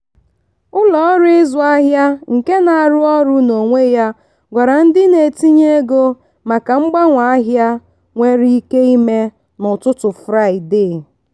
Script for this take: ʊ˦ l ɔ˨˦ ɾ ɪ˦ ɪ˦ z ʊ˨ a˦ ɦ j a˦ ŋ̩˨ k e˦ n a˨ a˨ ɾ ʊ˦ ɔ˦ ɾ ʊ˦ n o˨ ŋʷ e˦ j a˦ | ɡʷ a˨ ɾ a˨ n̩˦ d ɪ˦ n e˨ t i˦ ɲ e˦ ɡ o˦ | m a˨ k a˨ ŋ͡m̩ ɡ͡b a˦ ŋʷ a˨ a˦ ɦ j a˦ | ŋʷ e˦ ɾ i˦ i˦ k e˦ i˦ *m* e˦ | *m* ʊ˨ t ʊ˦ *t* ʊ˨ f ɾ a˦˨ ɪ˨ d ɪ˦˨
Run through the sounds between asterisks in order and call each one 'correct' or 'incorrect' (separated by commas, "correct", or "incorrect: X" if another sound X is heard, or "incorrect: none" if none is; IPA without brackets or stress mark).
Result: correct, incorrect: n, correct